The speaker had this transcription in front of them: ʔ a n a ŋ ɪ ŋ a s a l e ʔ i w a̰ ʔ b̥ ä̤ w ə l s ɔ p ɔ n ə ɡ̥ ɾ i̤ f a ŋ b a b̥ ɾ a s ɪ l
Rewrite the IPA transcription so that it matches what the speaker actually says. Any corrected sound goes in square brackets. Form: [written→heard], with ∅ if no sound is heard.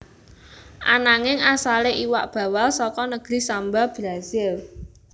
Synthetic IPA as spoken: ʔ a n a ŋ ɪ ŋ a s a l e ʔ i w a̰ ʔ b̥ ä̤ w [ə→a] l s ɔ [p→k] ɔ n ə ɡ̥ ɾ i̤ [f→s] a [ŋ→m] b a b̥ ɾ a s ɪ l

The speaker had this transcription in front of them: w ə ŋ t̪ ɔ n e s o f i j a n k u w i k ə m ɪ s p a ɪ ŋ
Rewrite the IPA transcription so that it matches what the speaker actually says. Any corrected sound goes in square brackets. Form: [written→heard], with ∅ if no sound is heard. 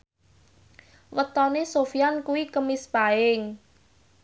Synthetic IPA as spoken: w ə [ŋ→∅] t̪ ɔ n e s o f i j a n k u w i k ə m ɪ s p a ɪ ŋ

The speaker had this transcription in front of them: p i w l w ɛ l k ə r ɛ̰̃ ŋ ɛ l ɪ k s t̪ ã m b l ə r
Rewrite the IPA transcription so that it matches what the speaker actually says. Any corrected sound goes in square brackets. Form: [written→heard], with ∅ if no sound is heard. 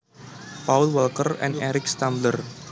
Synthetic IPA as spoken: p [i→a] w l w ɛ l k ə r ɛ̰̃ [ŋ→n] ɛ [l→ɾ] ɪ k s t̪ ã m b l ə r

